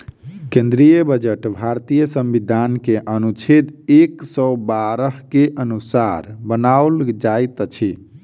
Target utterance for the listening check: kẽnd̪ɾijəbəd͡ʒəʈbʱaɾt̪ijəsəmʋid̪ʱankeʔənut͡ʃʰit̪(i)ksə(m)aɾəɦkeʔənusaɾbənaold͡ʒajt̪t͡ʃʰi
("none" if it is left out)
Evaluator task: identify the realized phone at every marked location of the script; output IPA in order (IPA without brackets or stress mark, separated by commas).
e, b